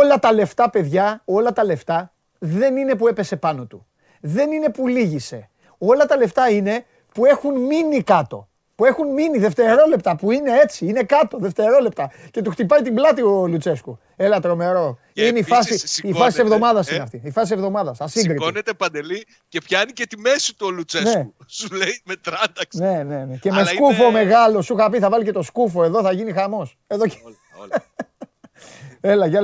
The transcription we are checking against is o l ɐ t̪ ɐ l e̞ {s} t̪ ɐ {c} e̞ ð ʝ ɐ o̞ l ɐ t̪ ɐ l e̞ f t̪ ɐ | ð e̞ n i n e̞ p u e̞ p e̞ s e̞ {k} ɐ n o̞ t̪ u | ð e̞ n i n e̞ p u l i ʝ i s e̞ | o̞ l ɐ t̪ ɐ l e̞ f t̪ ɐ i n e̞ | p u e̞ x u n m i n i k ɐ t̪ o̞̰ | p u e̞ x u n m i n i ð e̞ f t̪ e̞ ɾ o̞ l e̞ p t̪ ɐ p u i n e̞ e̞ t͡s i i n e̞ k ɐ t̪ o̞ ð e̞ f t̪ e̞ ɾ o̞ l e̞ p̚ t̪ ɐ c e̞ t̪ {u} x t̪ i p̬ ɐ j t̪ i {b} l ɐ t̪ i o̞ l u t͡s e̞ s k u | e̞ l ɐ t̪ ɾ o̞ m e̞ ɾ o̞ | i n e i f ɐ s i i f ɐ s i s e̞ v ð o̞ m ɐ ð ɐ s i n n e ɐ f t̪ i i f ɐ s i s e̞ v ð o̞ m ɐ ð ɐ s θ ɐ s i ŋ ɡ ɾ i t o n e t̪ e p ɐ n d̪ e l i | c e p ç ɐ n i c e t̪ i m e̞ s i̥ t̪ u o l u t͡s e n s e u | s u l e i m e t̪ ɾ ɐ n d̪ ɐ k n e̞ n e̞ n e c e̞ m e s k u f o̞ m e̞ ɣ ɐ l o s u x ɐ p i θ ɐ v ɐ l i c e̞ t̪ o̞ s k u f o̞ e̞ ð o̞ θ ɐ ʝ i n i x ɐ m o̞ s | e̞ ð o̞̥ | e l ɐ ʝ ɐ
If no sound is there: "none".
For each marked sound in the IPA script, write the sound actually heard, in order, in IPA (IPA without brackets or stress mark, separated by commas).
f, p, p, u, b